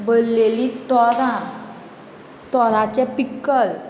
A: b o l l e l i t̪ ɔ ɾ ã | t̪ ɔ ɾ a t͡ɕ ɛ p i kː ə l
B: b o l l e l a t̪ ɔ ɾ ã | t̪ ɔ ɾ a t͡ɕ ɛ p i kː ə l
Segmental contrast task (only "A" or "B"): A